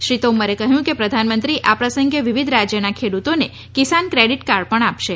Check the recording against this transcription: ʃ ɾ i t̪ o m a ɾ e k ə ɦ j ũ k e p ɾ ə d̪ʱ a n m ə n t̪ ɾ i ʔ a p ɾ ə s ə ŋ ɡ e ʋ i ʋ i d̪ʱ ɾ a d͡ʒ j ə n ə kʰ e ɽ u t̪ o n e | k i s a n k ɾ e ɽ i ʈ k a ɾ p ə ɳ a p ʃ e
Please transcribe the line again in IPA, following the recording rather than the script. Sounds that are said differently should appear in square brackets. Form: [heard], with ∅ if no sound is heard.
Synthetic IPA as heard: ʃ ɾ i t̪ o m [ə] ɾ e k ə ɦ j ũ k e p ɾ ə d̪ʱ a n m ə n t̪ ɾ i ʔ a p ɾ ə s ə ŋ ɡ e ʋ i ʋ i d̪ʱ ɾ a d͡ʒ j ə n [a] kʰ e ɽ u t̪ o n e | k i s a n k ɾ e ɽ i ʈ k a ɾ p ə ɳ a p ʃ e